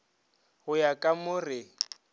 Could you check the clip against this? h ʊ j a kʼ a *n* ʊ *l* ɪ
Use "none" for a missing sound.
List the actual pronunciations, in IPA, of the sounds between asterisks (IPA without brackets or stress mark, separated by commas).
m, r